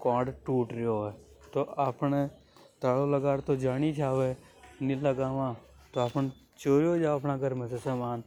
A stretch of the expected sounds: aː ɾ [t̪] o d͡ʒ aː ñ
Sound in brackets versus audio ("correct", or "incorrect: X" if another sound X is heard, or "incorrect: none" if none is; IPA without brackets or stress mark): correct